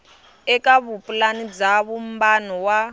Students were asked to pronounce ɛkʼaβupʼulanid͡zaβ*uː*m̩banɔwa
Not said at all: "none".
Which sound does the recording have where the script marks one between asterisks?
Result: u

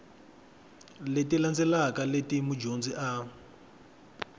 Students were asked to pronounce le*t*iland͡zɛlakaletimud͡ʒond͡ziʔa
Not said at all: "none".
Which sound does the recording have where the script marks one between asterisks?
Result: t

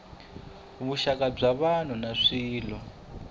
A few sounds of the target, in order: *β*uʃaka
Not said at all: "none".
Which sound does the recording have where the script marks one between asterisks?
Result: β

